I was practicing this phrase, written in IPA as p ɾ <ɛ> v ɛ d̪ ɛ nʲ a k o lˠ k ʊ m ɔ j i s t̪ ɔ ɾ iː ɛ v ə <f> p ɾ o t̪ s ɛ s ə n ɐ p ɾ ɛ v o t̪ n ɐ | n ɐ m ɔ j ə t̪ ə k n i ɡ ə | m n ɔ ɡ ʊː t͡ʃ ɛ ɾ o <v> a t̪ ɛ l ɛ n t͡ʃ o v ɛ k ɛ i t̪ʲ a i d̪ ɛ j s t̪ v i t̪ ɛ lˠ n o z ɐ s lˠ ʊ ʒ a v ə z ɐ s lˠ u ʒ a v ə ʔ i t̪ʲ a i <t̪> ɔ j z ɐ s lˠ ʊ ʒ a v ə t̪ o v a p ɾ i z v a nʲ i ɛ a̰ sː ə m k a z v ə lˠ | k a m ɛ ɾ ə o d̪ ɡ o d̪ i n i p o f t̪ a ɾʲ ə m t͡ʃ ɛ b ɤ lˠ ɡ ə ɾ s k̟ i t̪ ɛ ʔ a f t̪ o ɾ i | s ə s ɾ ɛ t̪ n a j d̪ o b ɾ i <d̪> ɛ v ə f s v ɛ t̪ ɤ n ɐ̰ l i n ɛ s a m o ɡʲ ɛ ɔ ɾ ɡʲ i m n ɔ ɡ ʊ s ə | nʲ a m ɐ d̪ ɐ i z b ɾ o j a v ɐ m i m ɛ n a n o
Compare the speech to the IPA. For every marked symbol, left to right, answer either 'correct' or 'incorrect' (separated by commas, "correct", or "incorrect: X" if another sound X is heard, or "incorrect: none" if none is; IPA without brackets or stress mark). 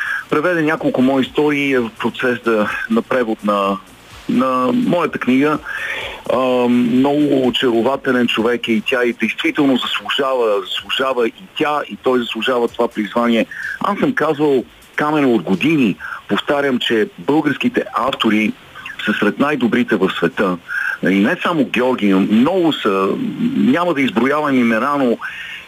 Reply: correct, correct, correct, correct, incorrect: t̪